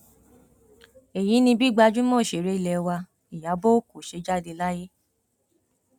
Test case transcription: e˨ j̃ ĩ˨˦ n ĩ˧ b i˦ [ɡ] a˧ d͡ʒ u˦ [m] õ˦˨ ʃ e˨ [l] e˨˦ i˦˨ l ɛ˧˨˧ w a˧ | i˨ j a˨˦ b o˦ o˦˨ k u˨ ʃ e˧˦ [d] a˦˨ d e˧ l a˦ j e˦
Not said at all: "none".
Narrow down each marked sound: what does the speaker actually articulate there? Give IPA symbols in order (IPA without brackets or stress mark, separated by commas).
ɡ͡b, m, ɾ, d͡ʒ